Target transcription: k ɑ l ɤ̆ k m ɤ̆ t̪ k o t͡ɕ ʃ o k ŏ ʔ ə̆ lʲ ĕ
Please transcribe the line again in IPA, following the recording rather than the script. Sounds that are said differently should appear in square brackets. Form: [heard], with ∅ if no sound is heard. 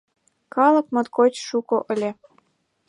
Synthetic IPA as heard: k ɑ l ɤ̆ k m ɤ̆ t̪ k o t͡ɕ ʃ [u] k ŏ ʔ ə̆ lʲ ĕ